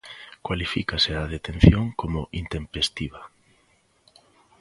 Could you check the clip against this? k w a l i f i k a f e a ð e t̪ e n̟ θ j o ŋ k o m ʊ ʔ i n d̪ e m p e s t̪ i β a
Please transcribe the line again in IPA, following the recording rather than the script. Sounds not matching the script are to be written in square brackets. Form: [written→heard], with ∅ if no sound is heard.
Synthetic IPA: k w a l i f i k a [f→s] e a ð e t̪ e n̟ θ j o ŋ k o m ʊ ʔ i n [d̪→t̪] e m p e s t̪ i β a